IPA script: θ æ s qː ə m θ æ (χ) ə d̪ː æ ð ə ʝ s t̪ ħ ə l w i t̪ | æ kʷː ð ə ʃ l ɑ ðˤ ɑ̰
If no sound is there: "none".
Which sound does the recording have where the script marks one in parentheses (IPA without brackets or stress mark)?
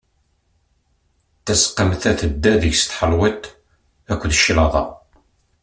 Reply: θ